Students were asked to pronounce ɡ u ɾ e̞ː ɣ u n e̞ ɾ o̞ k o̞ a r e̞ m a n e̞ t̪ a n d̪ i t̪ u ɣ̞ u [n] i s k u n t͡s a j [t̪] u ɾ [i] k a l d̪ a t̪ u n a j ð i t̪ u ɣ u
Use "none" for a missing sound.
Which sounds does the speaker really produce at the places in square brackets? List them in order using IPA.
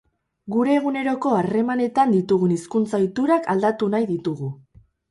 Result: n, t̪, a

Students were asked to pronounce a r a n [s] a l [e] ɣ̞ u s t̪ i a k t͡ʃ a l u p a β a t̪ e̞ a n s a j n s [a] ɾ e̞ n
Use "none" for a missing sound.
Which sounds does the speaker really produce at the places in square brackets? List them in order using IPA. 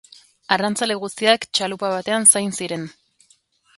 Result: t͡s, e, i

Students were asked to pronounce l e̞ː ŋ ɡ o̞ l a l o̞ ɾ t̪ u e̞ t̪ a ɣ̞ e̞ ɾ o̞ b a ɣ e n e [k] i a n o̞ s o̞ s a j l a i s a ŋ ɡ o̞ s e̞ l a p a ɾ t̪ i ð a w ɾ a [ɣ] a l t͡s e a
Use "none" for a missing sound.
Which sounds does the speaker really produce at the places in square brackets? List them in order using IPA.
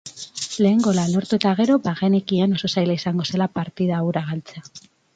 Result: k, ɣ

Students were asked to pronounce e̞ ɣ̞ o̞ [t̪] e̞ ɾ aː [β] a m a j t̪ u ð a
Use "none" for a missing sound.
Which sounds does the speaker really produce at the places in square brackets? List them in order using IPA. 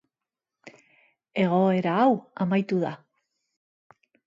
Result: none, w

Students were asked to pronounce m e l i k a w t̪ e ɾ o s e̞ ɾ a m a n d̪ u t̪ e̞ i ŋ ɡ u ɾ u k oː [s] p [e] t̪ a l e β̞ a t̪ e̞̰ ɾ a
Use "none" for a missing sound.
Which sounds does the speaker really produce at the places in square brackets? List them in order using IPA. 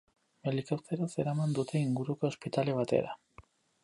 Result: s, i

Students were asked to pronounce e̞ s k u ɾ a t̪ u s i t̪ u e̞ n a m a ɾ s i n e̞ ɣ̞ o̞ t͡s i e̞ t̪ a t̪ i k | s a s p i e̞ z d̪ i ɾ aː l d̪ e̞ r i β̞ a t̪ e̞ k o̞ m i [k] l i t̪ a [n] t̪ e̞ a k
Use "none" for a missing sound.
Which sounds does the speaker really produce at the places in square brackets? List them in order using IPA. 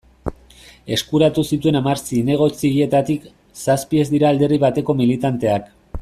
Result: none, n

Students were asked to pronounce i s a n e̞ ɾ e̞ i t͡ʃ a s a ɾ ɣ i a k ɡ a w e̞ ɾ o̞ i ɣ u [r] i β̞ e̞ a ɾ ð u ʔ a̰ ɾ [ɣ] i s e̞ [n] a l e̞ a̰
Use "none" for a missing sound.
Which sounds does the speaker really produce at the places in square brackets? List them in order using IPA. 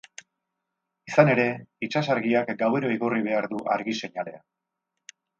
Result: r, ɣ, ɲ

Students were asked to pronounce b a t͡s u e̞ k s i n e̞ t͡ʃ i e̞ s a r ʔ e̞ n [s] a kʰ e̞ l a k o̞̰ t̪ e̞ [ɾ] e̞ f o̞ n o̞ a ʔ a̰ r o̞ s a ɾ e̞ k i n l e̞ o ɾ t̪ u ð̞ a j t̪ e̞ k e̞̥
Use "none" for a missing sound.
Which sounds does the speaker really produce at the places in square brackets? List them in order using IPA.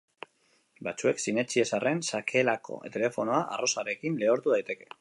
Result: s, l

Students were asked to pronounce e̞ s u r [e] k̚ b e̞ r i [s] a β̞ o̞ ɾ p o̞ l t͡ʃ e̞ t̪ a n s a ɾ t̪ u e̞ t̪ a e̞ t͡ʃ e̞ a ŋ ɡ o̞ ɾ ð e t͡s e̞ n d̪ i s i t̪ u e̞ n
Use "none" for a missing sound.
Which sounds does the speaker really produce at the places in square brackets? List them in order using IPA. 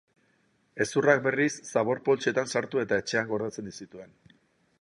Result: a, sː

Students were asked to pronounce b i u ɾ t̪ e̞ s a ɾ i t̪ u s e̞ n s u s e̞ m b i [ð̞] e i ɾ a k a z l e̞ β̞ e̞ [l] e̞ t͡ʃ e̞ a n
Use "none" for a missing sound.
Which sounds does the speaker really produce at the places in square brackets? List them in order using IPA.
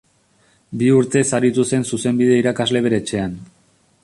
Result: ð̞, ɾ

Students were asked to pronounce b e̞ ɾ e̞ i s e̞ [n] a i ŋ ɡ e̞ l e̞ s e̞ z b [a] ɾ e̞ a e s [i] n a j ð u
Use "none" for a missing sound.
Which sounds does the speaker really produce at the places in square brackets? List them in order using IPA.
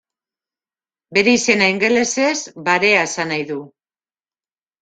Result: n, a, a

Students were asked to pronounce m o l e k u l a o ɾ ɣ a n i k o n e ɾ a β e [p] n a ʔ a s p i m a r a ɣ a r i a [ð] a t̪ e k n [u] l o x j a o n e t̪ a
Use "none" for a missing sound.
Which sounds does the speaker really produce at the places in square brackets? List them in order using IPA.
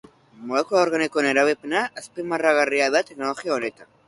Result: p, ð, o

